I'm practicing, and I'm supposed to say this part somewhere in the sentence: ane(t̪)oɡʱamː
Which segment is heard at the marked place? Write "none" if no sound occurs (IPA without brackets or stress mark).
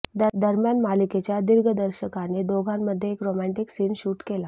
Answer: d̪